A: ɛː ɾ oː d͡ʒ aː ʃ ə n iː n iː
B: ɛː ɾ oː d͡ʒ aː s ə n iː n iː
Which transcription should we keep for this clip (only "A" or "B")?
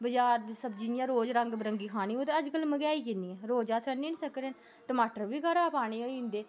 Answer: B